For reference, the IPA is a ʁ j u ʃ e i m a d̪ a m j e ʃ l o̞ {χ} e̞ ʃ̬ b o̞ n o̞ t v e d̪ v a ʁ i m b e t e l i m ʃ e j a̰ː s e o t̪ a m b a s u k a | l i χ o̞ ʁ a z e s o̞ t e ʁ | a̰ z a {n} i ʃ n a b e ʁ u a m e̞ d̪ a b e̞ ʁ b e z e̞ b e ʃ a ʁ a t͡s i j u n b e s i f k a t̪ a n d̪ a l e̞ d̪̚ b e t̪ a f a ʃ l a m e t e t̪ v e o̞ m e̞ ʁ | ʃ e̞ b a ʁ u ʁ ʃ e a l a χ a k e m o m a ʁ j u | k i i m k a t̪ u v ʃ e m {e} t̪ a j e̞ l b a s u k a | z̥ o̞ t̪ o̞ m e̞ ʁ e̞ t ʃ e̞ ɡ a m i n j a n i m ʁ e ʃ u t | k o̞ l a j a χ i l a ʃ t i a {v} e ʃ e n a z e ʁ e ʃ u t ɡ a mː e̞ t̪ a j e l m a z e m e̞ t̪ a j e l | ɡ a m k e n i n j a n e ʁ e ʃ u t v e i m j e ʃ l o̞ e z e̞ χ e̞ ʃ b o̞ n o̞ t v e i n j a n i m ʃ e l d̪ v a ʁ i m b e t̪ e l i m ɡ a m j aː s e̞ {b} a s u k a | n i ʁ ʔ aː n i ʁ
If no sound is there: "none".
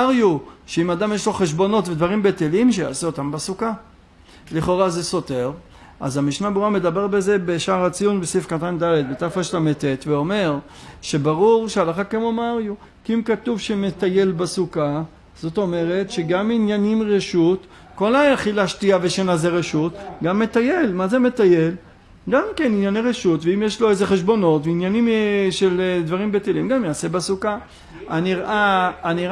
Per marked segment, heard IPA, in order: χ, m, e, v, b

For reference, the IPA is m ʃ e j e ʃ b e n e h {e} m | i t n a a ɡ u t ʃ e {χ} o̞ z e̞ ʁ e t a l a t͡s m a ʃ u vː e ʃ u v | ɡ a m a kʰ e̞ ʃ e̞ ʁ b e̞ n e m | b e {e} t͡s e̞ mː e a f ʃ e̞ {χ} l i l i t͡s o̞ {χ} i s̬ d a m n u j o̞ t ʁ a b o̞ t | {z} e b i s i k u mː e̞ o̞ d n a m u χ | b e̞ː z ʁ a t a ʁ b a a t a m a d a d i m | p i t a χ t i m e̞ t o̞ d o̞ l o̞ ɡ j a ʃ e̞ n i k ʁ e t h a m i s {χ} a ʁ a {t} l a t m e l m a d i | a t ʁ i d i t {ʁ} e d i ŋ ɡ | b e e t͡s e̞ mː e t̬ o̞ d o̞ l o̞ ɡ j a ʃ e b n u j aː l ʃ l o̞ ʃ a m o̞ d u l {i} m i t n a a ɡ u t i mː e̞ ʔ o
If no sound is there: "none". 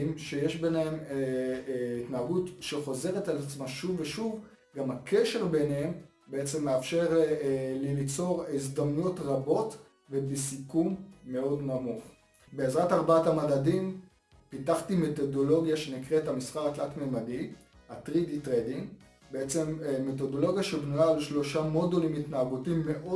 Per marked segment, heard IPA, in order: e, χ, e, ʁ, ʁ, v, χ, t, ʁ, i

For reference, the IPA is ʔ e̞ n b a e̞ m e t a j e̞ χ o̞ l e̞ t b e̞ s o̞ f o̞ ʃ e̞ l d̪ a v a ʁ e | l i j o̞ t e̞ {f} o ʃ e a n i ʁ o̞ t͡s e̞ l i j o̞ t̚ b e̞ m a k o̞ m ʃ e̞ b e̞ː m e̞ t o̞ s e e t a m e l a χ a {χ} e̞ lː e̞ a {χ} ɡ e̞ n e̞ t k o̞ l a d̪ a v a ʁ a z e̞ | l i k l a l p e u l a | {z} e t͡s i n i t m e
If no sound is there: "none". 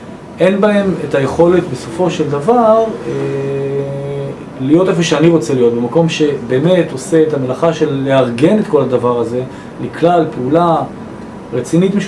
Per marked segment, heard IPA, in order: f, ʃ, ʁ, ʁ

